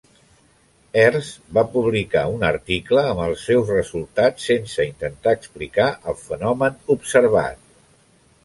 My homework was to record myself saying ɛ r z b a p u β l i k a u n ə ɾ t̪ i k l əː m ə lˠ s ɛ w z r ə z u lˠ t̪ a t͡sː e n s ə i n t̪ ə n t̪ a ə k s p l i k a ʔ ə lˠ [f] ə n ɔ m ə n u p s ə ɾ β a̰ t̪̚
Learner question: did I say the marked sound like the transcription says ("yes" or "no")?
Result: yes